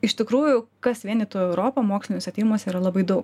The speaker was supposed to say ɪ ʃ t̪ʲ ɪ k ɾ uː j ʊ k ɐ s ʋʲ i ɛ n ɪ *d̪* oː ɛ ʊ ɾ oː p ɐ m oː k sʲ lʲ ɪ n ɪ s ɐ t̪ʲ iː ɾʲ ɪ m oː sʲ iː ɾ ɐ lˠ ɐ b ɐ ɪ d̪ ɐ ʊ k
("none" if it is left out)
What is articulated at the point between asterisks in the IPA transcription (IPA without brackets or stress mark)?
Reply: t̪